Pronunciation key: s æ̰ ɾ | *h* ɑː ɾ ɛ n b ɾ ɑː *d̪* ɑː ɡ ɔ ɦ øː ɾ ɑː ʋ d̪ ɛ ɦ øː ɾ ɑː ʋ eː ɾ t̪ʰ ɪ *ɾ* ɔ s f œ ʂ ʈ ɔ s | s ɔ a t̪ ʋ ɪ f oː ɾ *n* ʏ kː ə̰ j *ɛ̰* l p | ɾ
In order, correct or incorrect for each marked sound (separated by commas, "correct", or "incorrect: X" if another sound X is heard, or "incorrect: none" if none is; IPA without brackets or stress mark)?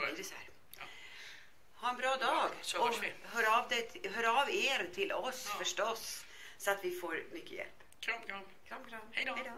correct, correct, incorrect: l, incorrect: m, correct